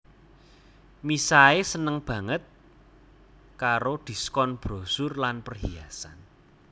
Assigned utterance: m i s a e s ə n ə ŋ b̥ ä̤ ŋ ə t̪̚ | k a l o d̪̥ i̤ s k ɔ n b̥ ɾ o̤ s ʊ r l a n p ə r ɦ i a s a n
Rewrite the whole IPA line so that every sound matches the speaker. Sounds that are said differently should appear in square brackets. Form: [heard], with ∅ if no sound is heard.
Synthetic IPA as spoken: m i s a e s ə n ə ŋ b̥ ä̤ ŋ ə t̪̚ | k a [ɾ] o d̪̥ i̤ s k ɔ n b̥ ɾ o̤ s ʊ r l a n p ə r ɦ i a s a n

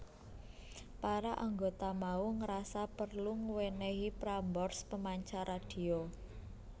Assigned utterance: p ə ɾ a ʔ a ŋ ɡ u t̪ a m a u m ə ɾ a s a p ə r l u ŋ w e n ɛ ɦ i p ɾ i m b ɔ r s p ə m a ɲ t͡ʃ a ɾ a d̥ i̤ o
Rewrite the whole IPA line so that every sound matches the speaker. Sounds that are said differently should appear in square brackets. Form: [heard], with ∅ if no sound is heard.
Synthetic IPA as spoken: p [a] ɾ a ʔ a ŋ ɡ [o] t̪ a m a u [ŋ] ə ɾ a s a p ə r l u ŋ w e n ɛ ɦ i p ɾ [a] m b ɔ r s p ə m a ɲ t͡ʃ a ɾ a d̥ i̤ o

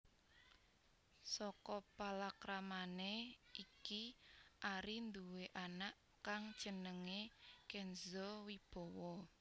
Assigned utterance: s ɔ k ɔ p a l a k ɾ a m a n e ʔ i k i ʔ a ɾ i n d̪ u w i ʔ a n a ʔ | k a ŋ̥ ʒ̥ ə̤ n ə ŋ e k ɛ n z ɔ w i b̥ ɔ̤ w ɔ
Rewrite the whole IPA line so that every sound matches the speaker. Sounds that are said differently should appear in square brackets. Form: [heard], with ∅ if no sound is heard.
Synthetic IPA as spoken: s ɔ k ɔ p a l a k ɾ a m a n e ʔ i k i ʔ a ɾ i n d̪ u w [e] ʔ a n a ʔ | k a ŋ̥ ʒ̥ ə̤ n ə ŋ e k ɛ n z ɔ w i b̥ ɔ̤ w ɔ

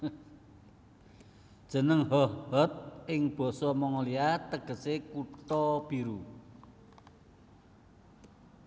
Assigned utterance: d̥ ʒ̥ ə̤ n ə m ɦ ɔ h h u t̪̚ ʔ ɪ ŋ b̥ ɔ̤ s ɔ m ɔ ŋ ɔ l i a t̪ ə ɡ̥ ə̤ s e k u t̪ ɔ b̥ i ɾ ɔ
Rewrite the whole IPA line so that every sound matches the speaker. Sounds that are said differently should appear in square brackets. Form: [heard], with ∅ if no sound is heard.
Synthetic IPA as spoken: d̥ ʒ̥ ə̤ n ə [ŋ] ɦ ɔ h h [ɔ] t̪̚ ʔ ɪ ŋ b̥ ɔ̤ s ɔ m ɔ ŋ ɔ l i a t̪ ə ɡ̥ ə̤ s e k u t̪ ɔ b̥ i ɾ [u]

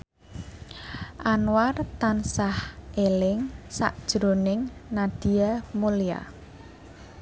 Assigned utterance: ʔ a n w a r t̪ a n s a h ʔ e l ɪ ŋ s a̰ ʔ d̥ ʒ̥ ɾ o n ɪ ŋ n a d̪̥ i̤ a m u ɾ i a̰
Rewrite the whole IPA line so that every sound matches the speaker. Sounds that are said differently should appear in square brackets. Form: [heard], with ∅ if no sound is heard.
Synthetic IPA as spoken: ʔ a n w a r t̪ a n s a h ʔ e l ɪ ŋ s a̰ ʔ d̥ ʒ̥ ɾ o n ɪ ŋ n a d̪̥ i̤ a m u [l] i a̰

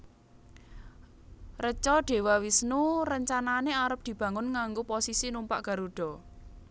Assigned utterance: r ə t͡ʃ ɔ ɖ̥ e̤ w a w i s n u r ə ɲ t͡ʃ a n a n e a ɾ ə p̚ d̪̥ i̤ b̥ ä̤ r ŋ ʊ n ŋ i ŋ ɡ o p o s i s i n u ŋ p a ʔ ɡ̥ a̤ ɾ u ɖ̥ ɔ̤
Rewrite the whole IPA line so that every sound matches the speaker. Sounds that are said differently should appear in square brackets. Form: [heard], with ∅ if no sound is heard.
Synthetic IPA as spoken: r ə t͡ʃ ɔ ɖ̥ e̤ w a w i s n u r ə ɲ t͡ʃ a n a n e a ɾ ə p̚ d̪̥ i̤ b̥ ä̤ [∅] ŋ ʊ n ŋ [a] ŋ ɡ o p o s i s i n u [m] p a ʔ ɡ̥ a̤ ɾ u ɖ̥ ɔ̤

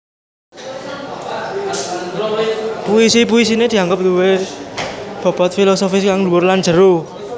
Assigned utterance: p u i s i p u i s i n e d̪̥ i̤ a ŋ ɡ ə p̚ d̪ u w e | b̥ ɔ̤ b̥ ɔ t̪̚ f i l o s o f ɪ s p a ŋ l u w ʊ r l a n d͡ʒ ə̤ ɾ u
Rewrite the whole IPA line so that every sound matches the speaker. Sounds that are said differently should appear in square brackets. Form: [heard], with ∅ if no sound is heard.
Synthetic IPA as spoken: p u i s i p u i s i n e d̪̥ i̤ a ŋ ɡ ə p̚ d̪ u w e | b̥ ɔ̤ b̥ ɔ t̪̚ f i l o s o f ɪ s [k] a ŋ l u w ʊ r l a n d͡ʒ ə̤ ɾ u

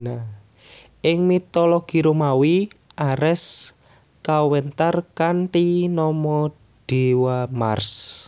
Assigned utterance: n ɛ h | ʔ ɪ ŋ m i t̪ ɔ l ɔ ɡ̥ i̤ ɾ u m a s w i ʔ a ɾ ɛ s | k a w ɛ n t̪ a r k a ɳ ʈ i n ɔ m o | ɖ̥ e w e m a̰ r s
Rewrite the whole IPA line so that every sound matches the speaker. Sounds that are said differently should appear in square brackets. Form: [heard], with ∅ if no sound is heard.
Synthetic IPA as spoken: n [a] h | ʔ ɪ ŋ m i t̪ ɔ l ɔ ɡ̥ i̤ ɾ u m a [∅] w i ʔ a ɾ ɛ s | k a w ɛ n t̪ a r k a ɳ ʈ i n ɔ m [ɔ] | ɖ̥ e w [a] m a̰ r s

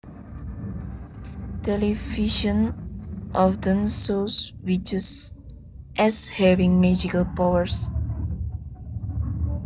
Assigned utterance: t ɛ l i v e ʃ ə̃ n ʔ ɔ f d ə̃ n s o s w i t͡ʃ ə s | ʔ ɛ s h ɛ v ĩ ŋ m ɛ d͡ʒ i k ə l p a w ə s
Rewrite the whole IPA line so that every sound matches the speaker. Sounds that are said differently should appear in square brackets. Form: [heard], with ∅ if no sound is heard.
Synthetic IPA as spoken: t ɛ l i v [i] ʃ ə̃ n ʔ ɔ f d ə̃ n s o s w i t͡ʃ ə s | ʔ ɛ s h ɛ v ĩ ŋ m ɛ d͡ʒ i k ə l p a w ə s

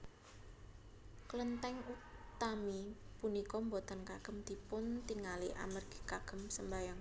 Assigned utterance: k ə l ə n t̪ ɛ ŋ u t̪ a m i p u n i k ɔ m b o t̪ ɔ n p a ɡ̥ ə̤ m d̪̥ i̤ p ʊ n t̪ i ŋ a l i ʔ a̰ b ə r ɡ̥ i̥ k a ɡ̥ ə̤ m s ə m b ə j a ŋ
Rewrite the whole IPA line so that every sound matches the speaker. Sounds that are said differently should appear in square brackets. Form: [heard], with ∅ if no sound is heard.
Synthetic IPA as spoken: k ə l ə n t̪ ɛ ŋ u t̪ a m i p u n i k ɔ m b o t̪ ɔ n [k] a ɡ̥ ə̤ m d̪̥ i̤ p ʊ n t̪ i ŋ a l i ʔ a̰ [m] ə r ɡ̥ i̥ k a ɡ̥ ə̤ m s ə m b [a] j a ŋ

